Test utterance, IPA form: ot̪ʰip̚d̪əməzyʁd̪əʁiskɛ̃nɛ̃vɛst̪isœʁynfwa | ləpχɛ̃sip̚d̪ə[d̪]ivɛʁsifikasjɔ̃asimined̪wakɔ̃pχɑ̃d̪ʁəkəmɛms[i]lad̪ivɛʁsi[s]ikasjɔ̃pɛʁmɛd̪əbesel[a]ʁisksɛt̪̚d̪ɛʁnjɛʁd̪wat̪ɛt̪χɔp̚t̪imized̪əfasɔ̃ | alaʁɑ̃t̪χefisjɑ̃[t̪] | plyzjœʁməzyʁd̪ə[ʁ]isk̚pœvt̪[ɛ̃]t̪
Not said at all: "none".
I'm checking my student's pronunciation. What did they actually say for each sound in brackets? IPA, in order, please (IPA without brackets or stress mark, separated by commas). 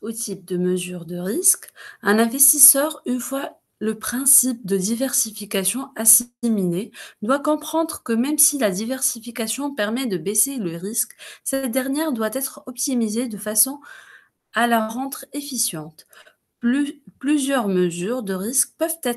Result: d̪, i, f, ə, t̪, ʁ, ɛ